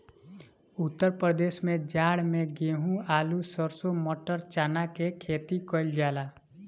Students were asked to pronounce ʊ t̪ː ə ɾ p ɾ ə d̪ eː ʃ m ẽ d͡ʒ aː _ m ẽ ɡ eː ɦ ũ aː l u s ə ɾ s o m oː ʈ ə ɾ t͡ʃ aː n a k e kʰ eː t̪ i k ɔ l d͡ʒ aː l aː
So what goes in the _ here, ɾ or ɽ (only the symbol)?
ɽ